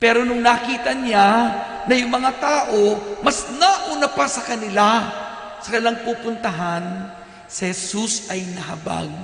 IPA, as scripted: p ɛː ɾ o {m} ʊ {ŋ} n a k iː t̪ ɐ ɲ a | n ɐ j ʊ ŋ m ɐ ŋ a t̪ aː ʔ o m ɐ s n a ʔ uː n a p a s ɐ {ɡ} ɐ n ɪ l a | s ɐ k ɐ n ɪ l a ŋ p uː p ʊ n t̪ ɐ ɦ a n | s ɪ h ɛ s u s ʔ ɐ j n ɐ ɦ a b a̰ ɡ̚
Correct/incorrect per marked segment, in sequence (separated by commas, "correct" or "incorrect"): incorrect, correct, incorrect